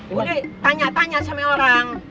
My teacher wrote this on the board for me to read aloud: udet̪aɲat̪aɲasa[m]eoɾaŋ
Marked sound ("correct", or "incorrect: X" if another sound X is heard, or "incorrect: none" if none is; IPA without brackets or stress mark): correct